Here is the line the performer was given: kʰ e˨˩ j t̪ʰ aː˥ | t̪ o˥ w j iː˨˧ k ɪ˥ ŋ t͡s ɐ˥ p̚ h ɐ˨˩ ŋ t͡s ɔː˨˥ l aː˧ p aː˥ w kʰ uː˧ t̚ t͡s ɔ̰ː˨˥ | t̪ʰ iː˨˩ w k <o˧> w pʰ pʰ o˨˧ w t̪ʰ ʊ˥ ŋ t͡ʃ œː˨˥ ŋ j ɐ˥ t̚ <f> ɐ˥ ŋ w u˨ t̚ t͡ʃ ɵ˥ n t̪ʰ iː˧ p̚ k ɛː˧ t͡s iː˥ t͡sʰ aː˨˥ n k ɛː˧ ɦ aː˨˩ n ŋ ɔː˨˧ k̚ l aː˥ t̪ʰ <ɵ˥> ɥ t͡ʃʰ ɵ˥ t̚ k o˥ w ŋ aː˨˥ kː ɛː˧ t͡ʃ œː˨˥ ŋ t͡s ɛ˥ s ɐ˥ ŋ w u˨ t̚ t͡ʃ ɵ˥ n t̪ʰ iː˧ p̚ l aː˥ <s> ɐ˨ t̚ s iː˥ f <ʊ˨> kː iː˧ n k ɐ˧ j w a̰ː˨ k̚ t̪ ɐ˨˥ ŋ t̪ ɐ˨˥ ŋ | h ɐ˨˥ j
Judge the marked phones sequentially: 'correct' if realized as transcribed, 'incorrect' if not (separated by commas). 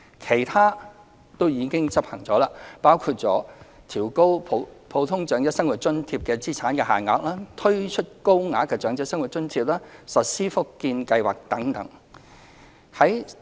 incorrect, incorrect, correct, correct, incorrect